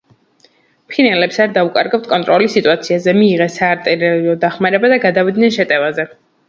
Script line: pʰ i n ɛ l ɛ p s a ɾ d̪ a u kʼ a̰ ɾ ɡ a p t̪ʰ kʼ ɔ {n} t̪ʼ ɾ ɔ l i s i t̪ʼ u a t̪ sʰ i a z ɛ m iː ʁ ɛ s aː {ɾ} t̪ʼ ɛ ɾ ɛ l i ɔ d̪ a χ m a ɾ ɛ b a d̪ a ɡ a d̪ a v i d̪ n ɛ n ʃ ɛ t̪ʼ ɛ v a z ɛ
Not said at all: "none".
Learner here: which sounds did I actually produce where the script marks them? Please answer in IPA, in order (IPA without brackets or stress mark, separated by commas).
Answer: n, ɾ